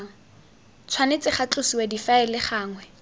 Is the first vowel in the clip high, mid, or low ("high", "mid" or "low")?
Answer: low